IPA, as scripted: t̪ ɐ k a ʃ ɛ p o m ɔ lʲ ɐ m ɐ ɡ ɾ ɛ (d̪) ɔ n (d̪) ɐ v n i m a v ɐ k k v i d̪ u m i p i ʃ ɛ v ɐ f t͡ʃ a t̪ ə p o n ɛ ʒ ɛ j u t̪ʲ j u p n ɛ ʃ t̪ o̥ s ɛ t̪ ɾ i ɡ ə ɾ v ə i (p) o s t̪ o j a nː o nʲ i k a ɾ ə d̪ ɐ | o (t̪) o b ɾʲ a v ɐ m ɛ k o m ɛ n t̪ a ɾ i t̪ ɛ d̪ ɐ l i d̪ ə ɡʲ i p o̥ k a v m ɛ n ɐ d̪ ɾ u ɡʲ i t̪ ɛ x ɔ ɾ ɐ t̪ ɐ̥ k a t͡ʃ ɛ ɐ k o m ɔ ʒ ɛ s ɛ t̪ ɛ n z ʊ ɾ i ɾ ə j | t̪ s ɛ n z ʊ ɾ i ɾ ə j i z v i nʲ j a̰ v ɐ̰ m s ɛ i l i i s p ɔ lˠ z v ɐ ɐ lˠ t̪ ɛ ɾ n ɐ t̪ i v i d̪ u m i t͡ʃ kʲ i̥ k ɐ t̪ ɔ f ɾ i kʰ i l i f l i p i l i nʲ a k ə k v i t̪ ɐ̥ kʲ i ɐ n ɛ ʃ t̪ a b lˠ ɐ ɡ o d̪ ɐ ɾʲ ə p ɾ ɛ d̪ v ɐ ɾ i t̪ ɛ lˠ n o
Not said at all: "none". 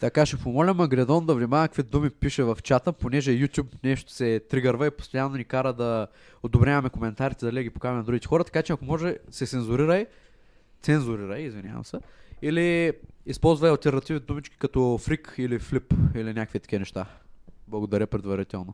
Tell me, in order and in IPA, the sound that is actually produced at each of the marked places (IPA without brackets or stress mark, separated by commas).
d̪, d̪, p, d̪